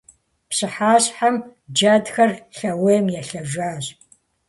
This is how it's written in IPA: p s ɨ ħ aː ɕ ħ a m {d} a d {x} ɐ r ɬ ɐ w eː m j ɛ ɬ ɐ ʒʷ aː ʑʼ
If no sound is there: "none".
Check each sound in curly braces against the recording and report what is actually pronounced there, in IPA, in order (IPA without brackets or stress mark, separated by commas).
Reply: d͡ʒ, x